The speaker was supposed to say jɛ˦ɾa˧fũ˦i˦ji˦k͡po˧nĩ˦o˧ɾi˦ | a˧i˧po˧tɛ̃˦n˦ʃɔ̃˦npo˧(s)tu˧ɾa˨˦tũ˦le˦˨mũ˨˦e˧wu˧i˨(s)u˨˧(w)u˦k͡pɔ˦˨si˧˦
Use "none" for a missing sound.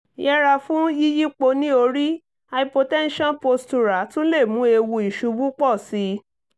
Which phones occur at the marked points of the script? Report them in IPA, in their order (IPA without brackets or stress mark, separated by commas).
s, ʃ, b